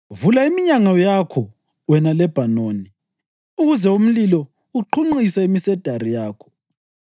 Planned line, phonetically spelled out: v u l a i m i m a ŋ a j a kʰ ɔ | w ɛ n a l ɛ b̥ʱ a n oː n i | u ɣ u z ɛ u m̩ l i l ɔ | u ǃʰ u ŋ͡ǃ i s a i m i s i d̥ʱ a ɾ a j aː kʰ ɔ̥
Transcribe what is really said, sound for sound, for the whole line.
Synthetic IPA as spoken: v u l a i m i ɲ a ŋ a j a kʰ ɔ | w ɛ n a l ɛ b̥ʱ a n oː n i | u ɣ u z ɛ u m̩ l i l ɔ | u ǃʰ u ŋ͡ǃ i s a i m i s ɛ d̥ʱ a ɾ i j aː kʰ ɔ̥

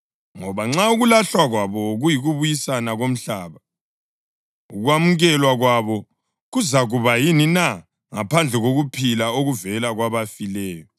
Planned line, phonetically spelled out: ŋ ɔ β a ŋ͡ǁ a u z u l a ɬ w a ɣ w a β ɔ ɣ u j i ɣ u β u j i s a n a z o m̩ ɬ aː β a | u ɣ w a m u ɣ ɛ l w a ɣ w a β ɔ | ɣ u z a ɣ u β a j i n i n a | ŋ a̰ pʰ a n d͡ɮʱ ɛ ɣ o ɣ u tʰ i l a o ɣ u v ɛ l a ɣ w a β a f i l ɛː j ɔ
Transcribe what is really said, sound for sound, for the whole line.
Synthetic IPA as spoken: ŋ ɔ β a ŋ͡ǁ a u ɣ u l a ɬ w a ɣ w a β ɔ ɣ u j i ɣ u β u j i s a n a ɣ o m̩ ɬ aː β a | u ɣ w a m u ɣ ɛ l w a ɣ w a β ɔ | ɣ u z a ɣ u β a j i n i n a | ŋ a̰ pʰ a n d͡ɮʱ ɛ ɣ o ɣ u pʰ i l a o ɣ u v ɛ l a ɣ w a β a f i l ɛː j ɔ

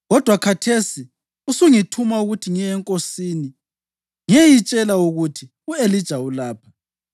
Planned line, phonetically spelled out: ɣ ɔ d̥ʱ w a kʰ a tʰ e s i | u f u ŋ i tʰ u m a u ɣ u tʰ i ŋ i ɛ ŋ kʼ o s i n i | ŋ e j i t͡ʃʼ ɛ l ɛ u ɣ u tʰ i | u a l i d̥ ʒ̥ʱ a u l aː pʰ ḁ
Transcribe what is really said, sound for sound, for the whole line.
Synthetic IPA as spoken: ɣ ɔ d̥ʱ w a kʰ a tʰ e s i | u s u ŋ i tʰ u m a u ɣ u tʰ i ŋ i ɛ ŋ kʼ o s i n i | ŋ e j i t͡ʃʼ ɛ l a u ɣ u tʰ i | u e l i d̥ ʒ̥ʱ a u l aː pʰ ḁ

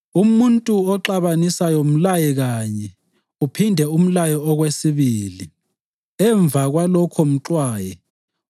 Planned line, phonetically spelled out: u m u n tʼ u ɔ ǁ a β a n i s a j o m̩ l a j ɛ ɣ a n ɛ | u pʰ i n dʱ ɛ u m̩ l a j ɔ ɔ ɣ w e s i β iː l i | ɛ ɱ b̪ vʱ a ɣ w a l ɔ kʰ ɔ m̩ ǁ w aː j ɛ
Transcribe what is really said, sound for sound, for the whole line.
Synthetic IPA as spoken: u m u n tʼ u ɔ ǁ a β a n i s a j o m̩ l a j ɛ ɣ a ɲ ɛ | u pʰ i n dʱ ɛ u m̩ l a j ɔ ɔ ɣ w e s i β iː l i | ɛ ɱ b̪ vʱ a ɣ w a l ɔ kʰ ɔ m̩ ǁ w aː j ɛ

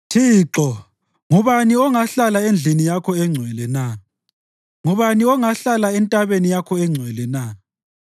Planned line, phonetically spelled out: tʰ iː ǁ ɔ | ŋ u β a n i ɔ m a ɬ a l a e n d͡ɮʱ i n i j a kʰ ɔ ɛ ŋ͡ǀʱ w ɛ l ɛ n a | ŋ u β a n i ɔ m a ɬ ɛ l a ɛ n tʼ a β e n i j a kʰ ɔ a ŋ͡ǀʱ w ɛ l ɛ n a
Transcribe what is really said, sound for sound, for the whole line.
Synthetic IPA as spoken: tʰ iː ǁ ɔ | ŋ u β a n i ɔ ŋ a ɬ a l a e n d͡ɮʱ i n i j a kʰ ɔ ɛ ŋ͡ǀʱ w ɛ l ɛ n a | ŋ u β a n i ɔ ŋ a ɬ a l a ɛ n tʼ a β e n i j a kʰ ɔ ɛ ŋ͡ǀʱ w ɛ l ɛ n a

